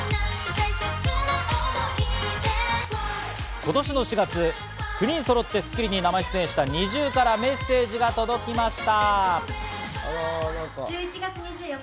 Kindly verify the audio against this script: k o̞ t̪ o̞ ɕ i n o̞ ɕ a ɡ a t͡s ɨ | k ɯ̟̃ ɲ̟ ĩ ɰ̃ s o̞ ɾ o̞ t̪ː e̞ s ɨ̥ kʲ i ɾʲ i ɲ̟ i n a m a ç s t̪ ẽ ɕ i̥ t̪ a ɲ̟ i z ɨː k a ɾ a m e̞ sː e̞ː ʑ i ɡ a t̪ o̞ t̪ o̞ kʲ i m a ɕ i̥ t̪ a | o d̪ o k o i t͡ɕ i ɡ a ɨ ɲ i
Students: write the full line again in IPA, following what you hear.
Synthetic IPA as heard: k o̞ t̪ o̞ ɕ i n o̞ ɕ i ɡ a t͡s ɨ | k ɯ̟ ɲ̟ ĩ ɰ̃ s o̞ ɾ o̞ t̪ː e̞ s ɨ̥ kʲ i ɾʲ i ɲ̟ i n a m a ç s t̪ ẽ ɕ i̥ t̪ a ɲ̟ i ʑ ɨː k a ɾ a m e̞ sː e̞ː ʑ i ɡ a t̪ o̞ d̪ o̞ kʲ i m a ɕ i̥ t̪ a | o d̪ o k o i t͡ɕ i ɡ a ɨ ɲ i

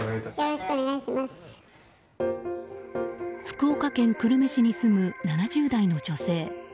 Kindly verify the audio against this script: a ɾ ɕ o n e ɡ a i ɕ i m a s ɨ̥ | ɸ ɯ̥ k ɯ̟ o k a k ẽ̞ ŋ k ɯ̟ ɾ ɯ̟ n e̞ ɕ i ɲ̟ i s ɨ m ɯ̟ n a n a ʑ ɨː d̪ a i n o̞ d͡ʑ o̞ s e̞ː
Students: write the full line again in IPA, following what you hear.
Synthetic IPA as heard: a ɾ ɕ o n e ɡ a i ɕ i m a s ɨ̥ | ɸ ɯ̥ k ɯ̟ o k a k ẽ̞ ŋ k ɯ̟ ɾ ɯ̟ m e̞ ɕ i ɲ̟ i s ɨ m ɯ̟ n a n a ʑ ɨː d̪ a i n o̞ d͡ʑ o̞ s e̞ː

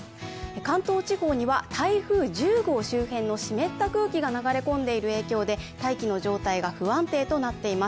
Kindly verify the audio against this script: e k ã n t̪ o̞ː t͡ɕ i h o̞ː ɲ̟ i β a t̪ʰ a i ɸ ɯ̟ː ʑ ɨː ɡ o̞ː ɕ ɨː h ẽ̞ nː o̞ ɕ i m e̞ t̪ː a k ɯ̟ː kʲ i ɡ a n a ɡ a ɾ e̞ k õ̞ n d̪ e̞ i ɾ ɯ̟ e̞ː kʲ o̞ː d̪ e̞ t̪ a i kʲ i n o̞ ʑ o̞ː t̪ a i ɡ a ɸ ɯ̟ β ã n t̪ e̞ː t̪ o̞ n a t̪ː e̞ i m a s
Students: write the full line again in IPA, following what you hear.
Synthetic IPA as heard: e k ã n t̪ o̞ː t͡ɕ i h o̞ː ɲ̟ i β a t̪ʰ a i ɸ ɯ̟ː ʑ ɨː ɡ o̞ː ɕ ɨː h ẽ̞ nː o̞ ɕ i m e̞ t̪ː a k ɯ̟ː kʲ i ɡ a n a ɡ a ɾ e̞ k õ̞ n d̪ e̞ i ɾ ɯ̟ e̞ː kʲ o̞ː d̪ e̞ t̪ a i kʲ i n o̞ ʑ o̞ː t̪ a i ɡ a ɸ ɯ̟ β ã n t̪ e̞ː t̪ o̞ n a t̪ː e̞ i m a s

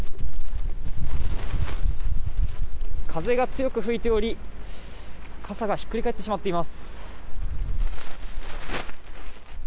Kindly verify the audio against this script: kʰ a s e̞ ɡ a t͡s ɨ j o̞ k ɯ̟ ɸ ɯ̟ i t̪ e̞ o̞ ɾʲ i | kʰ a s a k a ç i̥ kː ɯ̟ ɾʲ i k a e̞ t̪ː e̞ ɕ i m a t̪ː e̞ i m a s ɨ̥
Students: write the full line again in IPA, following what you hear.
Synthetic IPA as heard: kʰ a z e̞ ɡ a t͡s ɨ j o̞ k ɯ̟ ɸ ɯ̟ i t̪ e̞ o̞ ɾʲ i | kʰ a s a ɡ a ç i̥ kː ɯ̟ ɾʲ i k a e̞ t̪ː e̞ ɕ i m a t̪ː e̞ i m a s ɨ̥

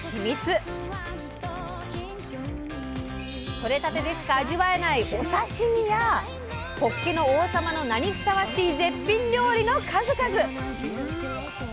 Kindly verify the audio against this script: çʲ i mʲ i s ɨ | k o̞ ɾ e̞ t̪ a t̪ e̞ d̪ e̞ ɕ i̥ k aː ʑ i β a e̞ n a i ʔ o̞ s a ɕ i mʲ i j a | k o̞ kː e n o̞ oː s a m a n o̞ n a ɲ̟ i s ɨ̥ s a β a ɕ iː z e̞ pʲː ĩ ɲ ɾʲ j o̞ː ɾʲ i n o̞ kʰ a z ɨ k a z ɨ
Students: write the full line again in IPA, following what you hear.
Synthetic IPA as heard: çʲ i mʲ i t͡s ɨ | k o̞ ɾ e̞ t̪ a t̪ e̞ d̪ e̞ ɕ i̥ k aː ʑ i β a e̞ n a i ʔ o̞ s a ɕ i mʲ i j a | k o̞ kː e n o̞ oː s a m a n o̞ n a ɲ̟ i s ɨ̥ s a β a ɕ iː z e̞ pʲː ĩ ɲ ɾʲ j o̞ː ɾʲ i n o̞ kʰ a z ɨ k a z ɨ

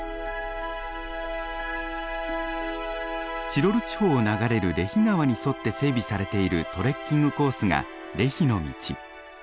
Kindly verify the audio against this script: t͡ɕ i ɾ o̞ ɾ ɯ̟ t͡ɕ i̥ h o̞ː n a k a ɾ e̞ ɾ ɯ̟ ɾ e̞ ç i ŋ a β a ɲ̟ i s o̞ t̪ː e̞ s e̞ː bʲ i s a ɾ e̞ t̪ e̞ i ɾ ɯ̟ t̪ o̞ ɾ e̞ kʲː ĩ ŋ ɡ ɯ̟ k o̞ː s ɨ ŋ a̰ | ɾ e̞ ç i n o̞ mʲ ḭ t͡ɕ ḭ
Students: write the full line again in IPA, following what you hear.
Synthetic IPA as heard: t͡ɕ i ɾ o̞ ɾ ɯ̟ t͡ɕ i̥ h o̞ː n a ɡ a ɾ e̞ ɾ ɯ̟ ɾ e̞ ç i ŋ a β a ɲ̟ i s o̞ t̪ː e̞ s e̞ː bʲ i s a ɾ e̞ t̪ e̞ i ɾ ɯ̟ t̪ o̞ ɾ e̞ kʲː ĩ ŋ ɡ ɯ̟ k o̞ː s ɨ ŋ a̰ | ɾ e̞ ç i n o̞ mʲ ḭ t͡ɕ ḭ

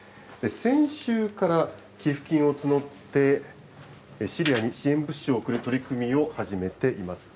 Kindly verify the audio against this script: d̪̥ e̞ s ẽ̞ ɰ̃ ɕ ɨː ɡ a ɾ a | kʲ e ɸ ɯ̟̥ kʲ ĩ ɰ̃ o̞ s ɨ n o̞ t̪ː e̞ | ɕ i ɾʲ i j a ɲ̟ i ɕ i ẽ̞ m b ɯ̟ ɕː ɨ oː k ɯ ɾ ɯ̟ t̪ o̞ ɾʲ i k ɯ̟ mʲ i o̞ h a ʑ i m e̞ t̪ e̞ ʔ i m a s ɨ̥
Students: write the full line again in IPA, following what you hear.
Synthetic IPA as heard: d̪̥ e̞ s ẽ̞ ɰ̃ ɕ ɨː k a ɾ a | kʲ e ɸ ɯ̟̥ kʲ ĩ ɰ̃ o̞ t͡s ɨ n o̞ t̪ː e̞ | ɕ i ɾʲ i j a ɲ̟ i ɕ i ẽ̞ m b ɯ̟ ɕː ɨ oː k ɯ ɾ ɯ̟ t̪ o̞ ɾʲ i k ɯ̟ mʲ i o̞ h a ʑ i m e̞ t̪ e̞ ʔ i m a s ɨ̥

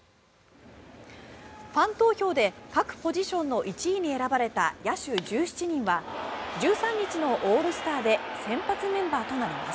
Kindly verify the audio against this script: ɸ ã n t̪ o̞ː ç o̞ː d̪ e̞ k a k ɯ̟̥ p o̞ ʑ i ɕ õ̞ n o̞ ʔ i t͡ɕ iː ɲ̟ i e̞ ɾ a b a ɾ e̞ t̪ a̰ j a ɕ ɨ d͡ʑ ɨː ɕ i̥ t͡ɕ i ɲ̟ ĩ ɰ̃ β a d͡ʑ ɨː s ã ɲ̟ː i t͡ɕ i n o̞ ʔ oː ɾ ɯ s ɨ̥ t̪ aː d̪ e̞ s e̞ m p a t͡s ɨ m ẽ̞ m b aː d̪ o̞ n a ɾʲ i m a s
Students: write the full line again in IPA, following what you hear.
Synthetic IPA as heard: ɸ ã n t̪ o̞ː ç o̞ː d̪ e̞ k a k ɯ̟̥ p o̞ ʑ i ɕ õ̞ nː o̞ ʔ i t͡ɕ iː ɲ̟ i e̞ ɾ a b a ɾ e̞ t̪ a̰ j a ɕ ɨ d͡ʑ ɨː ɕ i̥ t͡ɕ i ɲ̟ ĩ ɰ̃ β a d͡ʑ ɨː s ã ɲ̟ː i t͡ɕ i n o̞ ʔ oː ɾ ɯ s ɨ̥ t̪ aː d̪ e̞ s ẽ̞ m p a t͡s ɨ m ẽ̞ m b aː t̪ o̞ n a ɾʲ i m a s

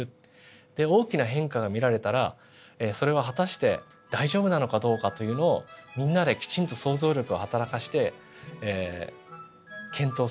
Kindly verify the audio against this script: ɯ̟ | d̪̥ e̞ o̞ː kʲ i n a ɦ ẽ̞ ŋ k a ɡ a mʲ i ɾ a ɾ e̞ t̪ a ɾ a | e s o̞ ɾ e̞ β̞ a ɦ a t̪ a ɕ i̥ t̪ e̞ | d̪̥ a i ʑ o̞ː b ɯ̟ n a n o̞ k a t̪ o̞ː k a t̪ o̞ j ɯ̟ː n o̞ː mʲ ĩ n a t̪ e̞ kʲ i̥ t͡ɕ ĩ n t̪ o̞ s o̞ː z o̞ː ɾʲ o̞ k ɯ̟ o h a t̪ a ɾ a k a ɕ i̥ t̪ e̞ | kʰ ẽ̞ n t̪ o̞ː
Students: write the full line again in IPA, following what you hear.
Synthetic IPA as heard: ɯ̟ | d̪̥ e̞ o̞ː kʲ i n a ɦ ẽ̞ ŋ k a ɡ a mʲ i ɾ a ɾ e̞ t̪ a ɾ a | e s o̞ ɾ e̞ β̞ a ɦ a t̪ a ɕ i̥ t̪ e̞ | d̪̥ a i ʑ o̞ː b ɯ̟ n a n o̞ k a d̪ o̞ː k a t̪ o̞ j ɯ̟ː n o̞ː mʲ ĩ nː a d̪ e̞ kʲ i̥ t͡ɕ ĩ n t̪ o̞ s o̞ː z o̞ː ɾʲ o̞ k ɯ̟ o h a t̪ a ɾ a k a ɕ i̥ t̪ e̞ | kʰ ẽ̞ n t̪ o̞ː

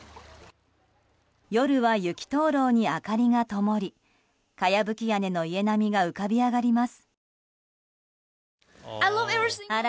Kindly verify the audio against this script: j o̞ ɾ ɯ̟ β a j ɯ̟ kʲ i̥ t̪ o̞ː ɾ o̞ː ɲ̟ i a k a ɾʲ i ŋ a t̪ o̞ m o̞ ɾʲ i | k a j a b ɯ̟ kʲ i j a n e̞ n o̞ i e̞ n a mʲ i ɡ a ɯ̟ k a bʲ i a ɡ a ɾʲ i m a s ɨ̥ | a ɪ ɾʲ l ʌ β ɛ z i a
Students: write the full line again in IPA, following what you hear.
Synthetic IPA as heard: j o̞ ɾ ɯ̟ β a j ɯ̟ kʲ i̥ t̪ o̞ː ɾ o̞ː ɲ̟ i a k a ɾʲ i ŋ a t̪ o̞ m o̞ ɾʲ i | k a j a b ɯ̟ kʲ i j a n e̞ n o̞ i e̞ n a mʲ i ɡ a ɯ̟ k a bʲ i a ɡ a ɾʲ i m a s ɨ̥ | a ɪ l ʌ v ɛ v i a

